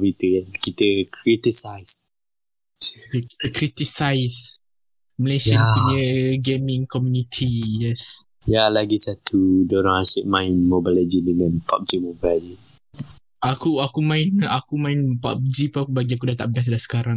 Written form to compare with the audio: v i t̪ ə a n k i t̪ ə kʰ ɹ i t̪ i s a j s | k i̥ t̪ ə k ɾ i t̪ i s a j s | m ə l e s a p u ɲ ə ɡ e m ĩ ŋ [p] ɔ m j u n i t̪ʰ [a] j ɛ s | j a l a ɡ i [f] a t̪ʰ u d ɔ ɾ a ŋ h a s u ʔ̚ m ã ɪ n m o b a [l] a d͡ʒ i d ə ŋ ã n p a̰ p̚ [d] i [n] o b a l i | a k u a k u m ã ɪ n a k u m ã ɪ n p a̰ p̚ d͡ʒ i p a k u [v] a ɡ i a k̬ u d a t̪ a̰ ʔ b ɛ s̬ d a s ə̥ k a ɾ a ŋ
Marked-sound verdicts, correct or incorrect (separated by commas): incorrect, incorrect, incorrect, correct, incorrect, incorrect, incorrect